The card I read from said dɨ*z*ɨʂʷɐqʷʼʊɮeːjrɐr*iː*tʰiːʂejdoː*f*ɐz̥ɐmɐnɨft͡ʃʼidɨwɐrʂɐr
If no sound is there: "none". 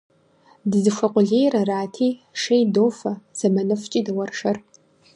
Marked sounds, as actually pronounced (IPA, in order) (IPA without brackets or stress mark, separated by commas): z, aː, f